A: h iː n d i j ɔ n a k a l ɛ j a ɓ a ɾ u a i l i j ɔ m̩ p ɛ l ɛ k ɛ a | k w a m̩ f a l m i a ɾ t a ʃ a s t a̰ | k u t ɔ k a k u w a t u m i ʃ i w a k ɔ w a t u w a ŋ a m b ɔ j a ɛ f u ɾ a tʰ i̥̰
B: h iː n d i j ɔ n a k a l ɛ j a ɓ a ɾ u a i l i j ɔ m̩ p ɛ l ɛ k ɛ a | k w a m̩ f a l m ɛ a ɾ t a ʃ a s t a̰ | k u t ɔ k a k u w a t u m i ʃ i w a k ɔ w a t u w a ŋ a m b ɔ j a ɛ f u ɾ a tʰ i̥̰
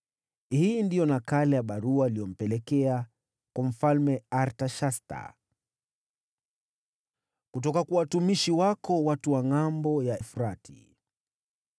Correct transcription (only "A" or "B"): B